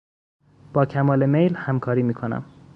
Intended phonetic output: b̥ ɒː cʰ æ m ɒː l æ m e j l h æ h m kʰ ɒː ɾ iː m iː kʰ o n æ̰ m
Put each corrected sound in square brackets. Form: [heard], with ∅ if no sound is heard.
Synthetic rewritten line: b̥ ɒː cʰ æ m ɒː l [e] m e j l h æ [∅] m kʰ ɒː ɾ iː m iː kʰ o n æ̰ m